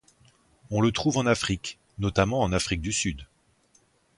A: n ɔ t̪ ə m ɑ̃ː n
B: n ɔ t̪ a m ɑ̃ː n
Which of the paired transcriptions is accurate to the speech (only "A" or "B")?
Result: B